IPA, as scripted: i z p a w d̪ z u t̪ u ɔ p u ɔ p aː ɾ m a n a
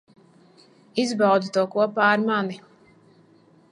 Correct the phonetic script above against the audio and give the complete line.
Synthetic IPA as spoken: i z b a w d̪ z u t̪ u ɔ k u ɔ p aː ɾ m a n i